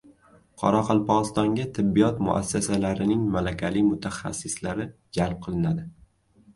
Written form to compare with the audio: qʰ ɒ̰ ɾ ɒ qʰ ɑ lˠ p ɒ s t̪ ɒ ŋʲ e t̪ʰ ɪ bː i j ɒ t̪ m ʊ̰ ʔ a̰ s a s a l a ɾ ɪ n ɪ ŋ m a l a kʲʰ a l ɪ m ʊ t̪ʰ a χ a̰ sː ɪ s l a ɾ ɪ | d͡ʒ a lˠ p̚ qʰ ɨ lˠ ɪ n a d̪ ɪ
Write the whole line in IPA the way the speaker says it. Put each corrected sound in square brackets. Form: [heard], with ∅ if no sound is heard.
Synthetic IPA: qʰ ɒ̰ ɾ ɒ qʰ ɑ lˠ p ɒ s t̪ ɒ ŋʲ [a] t̪ʰ ɪ bː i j ɒ t̪ m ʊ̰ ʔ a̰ [sː] a s a l a ɾ ɪ n ɪ ŋ m a l a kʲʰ a l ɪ m ʊ t̪ʰ a χ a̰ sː ɪ s l a ɾ ɪ | d͡ʒ a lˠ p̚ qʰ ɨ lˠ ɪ n a d̪ ɪ